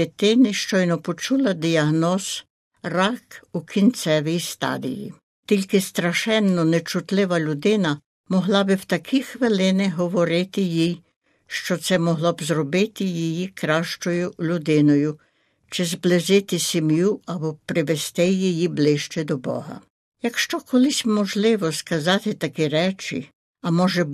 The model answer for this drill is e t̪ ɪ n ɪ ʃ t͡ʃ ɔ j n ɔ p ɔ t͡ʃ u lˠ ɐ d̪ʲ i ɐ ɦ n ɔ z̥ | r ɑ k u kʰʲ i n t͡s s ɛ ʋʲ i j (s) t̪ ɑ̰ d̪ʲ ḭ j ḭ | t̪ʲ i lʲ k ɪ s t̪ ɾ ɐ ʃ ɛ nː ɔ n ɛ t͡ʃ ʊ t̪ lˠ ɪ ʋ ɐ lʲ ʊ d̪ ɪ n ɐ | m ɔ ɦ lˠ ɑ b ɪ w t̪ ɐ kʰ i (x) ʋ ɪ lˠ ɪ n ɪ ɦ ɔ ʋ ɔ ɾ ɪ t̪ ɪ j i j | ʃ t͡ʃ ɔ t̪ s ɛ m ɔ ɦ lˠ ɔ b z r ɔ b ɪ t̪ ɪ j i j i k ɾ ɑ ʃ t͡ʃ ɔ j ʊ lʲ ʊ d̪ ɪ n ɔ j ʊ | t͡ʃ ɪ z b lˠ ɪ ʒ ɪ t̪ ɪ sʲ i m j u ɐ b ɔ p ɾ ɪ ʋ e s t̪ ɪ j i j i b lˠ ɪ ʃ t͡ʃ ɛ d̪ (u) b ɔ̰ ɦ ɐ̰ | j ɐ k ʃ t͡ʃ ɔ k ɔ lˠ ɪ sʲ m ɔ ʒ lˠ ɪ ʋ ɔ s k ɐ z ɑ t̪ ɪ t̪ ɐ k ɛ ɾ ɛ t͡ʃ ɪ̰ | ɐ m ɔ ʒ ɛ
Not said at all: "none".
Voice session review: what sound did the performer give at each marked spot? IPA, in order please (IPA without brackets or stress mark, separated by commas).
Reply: s, x, ɔ